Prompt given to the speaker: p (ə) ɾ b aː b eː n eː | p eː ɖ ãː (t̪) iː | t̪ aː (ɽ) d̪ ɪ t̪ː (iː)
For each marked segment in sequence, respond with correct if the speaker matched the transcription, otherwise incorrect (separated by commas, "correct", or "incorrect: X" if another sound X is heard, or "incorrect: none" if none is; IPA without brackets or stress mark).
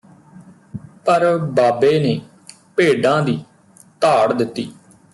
correct, incorrect: d̪, correct, correct